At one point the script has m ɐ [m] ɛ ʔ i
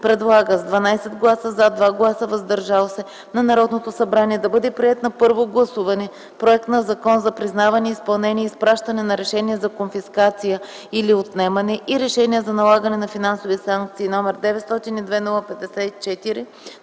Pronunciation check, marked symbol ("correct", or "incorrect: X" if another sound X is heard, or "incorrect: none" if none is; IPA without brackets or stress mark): incorrect: n